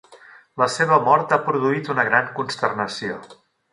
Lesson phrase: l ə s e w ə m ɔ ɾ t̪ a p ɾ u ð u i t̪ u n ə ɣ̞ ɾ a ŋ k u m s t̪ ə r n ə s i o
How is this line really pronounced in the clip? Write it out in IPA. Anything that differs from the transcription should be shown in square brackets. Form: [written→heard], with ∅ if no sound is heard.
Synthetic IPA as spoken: l ə s e [w→β] ə m ɔ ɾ t̪ a p ɾ u ð u i t̪ u n ə ɣ̞ ɾ a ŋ k u [m→n] s t̪ ə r n ə s i o